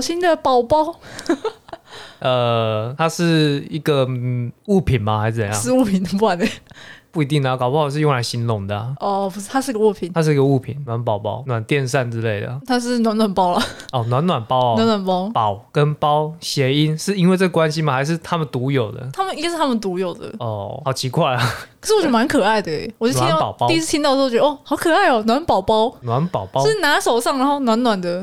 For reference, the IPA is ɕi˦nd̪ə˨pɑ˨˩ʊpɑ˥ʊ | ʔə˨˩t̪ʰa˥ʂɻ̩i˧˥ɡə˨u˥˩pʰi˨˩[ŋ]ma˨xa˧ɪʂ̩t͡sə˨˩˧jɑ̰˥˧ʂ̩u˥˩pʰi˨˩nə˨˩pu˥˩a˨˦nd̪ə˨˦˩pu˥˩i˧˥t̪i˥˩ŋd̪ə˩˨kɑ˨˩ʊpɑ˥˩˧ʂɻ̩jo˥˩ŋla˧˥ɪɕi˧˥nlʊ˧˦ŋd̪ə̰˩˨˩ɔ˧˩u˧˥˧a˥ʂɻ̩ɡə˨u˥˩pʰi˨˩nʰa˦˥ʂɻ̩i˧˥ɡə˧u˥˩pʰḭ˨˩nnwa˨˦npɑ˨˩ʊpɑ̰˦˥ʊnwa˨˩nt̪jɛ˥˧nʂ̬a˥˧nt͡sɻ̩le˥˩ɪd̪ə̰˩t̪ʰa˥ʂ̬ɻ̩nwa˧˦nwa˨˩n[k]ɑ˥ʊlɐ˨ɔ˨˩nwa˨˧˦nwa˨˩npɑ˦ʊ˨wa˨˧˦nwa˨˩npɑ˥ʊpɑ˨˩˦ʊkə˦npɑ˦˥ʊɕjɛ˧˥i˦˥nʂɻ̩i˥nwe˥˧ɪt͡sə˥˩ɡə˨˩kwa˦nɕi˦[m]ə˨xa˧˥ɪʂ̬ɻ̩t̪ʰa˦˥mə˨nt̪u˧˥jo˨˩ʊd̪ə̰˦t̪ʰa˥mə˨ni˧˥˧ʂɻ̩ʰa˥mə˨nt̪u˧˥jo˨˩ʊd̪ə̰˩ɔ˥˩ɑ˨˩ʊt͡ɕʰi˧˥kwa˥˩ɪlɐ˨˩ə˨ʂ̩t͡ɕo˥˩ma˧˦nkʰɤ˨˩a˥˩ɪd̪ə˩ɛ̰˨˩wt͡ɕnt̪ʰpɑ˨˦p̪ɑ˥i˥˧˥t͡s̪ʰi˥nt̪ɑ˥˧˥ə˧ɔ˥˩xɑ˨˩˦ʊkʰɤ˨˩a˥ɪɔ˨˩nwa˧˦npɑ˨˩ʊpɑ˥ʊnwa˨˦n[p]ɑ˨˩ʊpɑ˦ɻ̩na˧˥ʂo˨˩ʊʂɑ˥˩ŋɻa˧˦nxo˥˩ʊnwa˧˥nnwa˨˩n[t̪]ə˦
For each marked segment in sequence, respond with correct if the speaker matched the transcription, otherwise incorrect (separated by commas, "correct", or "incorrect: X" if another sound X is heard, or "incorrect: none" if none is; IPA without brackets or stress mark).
incorrect: n, incorrect: p, correct, correct, incorrect: d̪